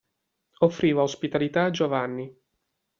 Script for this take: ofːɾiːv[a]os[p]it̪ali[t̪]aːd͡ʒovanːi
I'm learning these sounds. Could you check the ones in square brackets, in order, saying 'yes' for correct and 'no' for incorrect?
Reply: yes, yes, yes

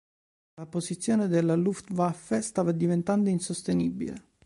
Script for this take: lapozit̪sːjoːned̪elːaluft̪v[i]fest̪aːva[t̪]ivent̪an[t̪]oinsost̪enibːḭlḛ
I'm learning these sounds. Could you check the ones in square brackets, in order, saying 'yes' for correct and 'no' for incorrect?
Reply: no, no, no

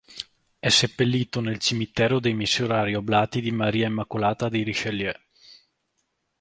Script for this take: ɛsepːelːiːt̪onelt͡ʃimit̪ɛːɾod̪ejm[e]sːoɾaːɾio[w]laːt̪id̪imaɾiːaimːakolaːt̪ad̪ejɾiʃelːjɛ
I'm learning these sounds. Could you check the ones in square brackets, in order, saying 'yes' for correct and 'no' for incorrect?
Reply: no, no

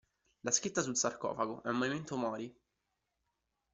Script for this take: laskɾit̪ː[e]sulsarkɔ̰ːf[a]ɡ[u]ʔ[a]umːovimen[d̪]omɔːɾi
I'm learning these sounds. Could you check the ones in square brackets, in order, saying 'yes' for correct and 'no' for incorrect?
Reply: no, yes, no, no, no

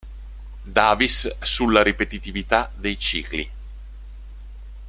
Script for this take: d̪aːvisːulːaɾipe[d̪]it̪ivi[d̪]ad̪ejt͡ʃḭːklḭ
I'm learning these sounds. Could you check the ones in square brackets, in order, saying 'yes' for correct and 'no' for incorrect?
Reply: no, no

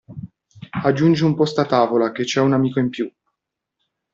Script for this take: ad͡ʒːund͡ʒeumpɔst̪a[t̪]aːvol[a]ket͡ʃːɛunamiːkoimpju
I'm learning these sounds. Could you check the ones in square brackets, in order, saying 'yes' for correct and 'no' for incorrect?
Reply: yes, yes

